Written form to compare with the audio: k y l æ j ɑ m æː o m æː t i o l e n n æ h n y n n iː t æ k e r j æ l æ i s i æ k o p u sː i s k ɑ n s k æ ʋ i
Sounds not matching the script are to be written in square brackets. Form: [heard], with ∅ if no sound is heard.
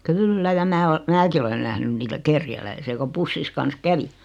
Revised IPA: k y [lː] æ j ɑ m æː o m æː [k] i o l e n n æ h n y n n iː t æ k e r j æ l æ i s i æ k o p u sː i s k ɑ n s k æ ʋ i